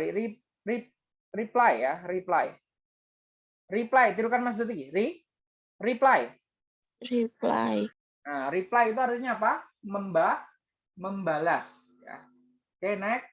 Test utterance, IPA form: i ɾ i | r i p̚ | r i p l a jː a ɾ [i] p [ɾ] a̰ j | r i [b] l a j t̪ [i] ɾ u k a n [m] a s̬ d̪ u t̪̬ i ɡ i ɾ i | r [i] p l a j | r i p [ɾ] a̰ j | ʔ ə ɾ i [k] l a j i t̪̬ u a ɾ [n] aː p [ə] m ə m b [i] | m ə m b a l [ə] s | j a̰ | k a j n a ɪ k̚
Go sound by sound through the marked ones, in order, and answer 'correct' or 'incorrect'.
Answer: correct, incorrect: l, incorrect: p, correct, correct, correct, incorrect: l, incorrect: p, incorrect: ɲ, incorrect: a, incorrect: a, incorrect: a

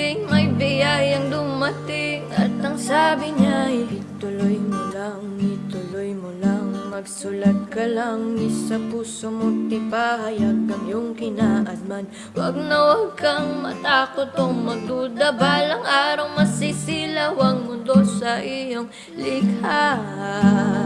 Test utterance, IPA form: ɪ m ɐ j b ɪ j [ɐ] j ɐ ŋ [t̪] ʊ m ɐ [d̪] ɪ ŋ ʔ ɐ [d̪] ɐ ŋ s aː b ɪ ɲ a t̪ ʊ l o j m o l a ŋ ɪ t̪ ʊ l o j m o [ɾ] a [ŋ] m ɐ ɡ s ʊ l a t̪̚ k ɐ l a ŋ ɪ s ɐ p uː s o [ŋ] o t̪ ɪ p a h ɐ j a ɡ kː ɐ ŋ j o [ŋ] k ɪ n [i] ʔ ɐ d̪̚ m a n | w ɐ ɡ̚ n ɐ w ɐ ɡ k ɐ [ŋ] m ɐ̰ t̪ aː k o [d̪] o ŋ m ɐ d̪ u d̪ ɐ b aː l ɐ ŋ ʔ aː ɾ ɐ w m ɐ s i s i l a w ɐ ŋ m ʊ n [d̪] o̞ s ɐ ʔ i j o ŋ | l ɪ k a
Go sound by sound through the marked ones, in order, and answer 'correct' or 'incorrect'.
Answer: incorrect: a, incorrect: d̪, incorrect: t̪, incorrect: t̪, incorrect: l, correct, incorrect: m, correct, incorrect: a, correct, incorrect: t̪, correct

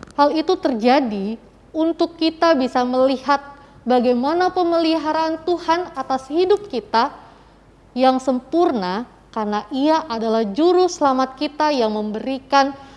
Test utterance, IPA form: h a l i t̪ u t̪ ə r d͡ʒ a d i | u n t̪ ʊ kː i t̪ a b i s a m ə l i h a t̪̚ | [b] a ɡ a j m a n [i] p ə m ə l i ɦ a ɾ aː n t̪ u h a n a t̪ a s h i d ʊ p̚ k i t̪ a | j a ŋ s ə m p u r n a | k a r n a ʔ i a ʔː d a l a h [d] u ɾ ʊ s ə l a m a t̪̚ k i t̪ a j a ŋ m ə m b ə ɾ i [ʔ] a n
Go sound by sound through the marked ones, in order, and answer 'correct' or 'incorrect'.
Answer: correct, incorrect: a, incorrect: d͡ʒ, incorrect: k

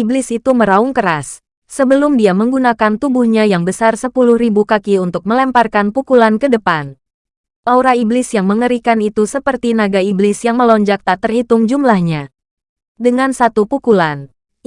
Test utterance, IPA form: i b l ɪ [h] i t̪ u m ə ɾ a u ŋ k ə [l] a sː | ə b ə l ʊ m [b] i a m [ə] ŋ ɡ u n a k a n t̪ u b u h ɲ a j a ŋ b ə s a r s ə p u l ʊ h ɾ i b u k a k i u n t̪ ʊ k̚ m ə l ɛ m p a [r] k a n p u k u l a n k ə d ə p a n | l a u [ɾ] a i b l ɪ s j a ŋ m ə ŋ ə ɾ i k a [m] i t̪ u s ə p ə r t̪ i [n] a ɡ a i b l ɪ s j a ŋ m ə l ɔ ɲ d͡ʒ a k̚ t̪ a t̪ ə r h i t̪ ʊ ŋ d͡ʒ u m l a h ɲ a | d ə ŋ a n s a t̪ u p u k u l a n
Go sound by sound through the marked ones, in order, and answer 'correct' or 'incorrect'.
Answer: incorrect: s, incorrect: ɾ, incorrect: d, correct, correct, correct, incorrect: n, correct

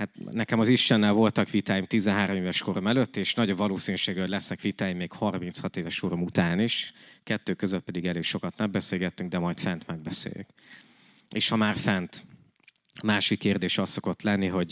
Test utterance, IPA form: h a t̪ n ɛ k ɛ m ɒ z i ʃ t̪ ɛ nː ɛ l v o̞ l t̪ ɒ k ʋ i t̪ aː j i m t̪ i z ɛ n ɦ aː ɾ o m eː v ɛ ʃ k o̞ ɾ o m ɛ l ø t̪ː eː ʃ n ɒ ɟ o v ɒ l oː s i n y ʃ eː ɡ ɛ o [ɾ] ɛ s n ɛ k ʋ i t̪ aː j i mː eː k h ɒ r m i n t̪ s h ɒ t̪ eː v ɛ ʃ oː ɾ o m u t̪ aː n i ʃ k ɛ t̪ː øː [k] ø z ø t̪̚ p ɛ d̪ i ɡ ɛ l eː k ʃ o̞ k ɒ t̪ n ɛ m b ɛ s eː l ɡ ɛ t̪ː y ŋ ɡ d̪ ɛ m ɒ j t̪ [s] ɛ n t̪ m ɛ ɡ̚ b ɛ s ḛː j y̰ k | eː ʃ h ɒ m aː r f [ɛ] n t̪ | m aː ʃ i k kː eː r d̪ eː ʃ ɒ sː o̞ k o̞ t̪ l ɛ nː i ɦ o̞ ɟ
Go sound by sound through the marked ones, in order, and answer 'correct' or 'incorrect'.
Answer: incorrect: l, correct, incorrect: f, correct

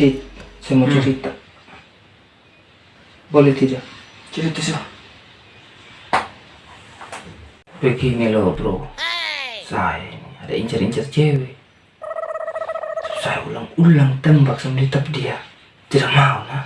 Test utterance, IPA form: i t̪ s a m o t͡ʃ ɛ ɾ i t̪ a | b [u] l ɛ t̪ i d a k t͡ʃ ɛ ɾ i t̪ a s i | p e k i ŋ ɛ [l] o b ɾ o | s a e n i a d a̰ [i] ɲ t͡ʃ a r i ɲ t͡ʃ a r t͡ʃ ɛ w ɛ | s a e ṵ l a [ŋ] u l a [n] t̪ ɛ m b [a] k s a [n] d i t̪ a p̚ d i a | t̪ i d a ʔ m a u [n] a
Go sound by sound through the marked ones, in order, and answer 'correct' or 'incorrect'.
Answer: incorrect: o, correct, correct, correct, incorrect: ŋ, correct, incorrect: m, correct

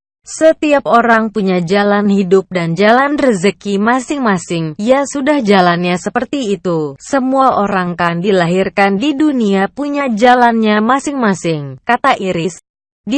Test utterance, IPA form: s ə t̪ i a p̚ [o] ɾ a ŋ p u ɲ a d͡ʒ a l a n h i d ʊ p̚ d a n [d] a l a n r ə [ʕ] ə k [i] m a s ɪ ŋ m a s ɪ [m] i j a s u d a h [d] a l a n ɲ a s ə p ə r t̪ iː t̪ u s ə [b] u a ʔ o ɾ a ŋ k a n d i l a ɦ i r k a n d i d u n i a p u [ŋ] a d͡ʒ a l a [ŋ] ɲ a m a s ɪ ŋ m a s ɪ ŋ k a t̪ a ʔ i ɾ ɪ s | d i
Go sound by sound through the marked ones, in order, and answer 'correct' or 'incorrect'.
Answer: correct, incorrect: d͡ʒ, incorrect: z, correct, incorrect: ŋ, incorrect: d͡ʒ, incorrect: m, incorrect: ɲ, incorrect: n

